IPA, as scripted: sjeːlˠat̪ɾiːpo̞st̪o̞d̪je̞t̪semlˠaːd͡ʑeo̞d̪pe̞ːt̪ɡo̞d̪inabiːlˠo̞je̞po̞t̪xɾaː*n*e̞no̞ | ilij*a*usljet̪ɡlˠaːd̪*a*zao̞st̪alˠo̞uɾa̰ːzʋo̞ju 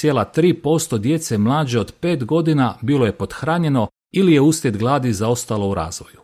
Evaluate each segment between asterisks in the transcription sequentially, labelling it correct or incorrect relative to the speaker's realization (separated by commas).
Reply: incorrect, incorrect, incorrect